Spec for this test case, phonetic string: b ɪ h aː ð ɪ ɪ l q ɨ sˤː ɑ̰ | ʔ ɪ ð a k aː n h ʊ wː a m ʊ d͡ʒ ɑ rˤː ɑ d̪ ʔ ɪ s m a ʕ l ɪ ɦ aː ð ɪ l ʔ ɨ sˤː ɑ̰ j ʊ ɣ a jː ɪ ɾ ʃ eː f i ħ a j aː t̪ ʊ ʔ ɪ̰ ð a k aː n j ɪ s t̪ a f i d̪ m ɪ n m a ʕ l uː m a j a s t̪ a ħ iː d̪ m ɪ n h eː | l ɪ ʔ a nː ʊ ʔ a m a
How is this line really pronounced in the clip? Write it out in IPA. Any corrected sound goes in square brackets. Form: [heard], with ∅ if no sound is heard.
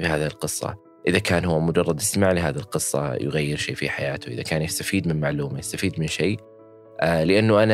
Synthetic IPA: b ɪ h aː ð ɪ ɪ l q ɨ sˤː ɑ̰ | ʔ ɪ ð a k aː n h ʊ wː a m ʊ d͡ʒ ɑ rˤː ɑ d̪ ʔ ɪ s m a ʕ l ɪ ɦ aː ð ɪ l [q] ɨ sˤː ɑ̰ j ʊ ɣ a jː ɪ ɾ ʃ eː f i ħ a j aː t̪ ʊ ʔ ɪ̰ ð a k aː n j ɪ s t̪ a f [iː] d̪ m ɪ n m a ʕ l uː m a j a s t̪ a [f] iː d̪ m ɪ n [ʃ] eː | l ɪ ʔ a nː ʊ ʔ a [n] a